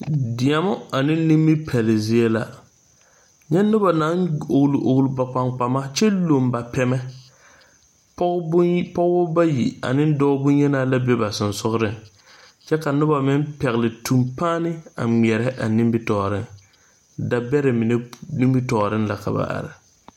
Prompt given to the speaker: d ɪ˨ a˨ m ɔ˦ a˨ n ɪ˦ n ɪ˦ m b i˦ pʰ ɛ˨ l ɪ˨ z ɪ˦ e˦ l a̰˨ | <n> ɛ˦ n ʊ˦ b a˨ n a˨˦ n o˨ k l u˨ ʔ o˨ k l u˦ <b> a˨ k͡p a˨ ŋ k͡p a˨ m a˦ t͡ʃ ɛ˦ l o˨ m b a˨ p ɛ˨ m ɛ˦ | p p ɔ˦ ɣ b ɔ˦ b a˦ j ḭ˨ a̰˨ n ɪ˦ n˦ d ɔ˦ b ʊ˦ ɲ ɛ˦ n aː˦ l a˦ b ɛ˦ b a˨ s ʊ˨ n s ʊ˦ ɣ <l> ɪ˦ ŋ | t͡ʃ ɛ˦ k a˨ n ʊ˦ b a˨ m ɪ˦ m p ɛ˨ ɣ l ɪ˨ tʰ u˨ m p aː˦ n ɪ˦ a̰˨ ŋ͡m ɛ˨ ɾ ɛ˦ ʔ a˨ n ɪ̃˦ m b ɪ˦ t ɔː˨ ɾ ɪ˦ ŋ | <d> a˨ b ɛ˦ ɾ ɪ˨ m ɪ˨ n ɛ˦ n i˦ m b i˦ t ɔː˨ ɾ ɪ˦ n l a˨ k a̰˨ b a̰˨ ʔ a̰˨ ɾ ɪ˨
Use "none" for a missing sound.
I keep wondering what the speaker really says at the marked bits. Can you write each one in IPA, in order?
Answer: ɲ, b, ɾ, d

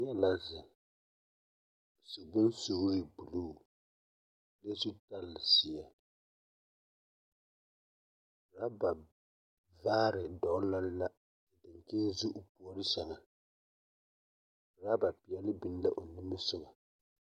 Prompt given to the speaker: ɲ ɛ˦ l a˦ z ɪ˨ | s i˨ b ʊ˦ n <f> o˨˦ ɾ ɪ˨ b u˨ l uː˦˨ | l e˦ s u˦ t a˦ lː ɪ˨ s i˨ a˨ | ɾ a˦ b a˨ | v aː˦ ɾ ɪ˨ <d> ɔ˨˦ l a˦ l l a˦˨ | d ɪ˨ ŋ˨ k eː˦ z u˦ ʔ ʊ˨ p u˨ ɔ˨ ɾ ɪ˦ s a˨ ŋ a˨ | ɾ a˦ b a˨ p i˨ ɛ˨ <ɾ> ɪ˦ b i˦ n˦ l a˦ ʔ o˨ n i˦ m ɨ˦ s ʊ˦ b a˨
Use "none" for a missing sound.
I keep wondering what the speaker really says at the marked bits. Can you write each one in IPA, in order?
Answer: s, d, l

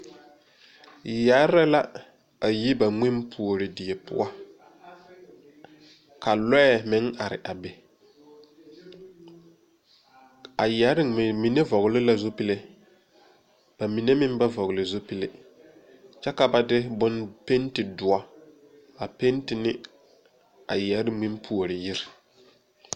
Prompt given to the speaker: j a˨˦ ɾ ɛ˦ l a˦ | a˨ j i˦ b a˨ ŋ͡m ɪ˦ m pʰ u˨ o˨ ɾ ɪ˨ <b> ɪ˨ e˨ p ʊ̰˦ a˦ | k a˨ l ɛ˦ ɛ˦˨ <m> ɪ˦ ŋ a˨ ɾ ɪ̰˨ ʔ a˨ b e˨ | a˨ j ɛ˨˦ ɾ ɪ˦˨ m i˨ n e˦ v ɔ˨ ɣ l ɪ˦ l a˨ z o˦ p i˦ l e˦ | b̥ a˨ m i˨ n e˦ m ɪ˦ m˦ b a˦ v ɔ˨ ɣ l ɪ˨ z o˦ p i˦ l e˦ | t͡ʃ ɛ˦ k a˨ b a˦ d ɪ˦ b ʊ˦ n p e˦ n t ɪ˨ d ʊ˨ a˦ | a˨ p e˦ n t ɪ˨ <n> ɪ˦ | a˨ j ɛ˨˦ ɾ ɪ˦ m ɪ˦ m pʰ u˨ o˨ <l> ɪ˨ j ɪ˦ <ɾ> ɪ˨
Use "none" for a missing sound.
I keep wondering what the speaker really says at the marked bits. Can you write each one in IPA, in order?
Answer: d, m, n, ɾ, ɾ

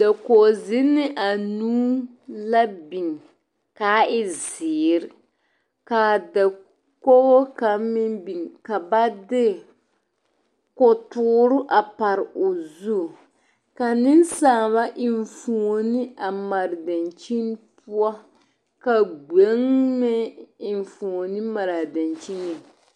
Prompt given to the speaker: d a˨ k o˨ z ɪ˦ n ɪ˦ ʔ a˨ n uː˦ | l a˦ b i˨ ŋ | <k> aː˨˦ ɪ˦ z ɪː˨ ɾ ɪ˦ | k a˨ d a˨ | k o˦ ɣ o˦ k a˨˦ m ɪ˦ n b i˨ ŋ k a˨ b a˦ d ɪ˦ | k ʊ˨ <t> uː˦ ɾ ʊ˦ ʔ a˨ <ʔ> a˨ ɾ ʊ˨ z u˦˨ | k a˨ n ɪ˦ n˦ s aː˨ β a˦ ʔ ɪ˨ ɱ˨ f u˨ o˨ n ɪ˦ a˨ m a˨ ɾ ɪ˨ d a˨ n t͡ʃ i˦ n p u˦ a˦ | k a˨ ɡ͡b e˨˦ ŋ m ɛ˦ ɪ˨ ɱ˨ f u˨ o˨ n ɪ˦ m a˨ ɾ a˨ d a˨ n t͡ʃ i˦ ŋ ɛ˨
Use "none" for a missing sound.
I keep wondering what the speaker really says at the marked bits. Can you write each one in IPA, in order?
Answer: k, t, p

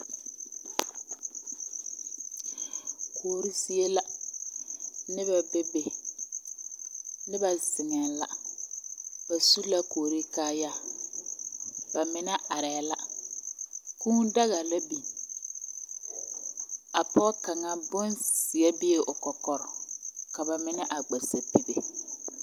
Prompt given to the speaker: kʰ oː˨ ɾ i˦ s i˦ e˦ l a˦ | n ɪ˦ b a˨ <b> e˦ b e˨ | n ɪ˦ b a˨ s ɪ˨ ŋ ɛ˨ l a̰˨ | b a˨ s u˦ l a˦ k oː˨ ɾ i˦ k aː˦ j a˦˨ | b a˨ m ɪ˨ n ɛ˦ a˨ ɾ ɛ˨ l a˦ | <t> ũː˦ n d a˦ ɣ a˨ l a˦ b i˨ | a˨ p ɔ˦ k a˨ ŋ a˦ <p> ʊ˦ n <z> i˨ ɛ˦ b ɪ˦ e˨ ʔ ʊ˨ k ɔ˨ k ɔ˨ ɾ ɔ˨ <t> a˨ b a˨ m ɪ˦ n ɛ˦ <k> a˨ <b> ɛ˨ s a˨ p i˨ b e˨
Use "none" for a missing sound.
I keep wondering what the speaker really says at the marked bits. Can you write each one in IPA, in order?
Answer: b, k, b, s, k, ʔ, ɡ͡b

